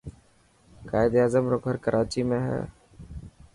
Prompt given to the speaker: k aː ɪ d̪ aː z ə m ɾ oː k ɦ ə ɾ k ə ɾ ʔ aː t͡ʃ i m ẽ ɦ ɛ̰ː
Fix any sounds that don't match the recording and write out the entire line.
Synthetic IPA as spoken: k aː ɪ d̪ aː z ə m ɾ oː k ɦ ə ɾ k ə ɾ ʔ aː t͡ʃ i m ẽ ɦ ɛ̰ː

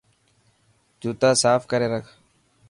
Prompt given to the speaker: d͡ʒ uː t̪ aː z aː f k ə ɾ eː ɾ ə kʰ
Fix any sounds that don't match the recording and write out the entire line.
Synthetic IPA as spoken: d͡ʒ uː t̪ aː s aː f k ə ɾ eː ɾ ə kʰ

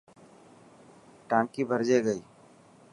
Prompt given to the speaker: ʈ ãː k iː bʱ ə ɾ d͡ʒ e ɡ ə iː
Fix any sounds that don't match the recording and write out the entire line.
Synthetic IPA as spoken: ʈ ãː k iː bʱ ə ɾ d͡ʒ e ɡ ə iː

